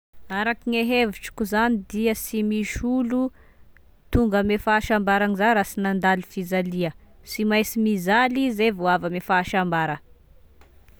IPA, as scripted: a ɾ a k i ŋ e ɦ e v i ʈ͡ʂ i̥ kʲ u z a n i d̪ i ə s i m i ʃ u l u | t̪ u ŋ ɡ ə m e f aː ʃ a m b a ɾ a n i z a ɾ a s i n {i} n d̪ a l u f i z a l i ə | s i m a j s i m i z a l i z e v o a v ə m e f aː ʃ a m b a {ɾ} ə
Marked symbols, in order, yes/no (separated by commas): no, yes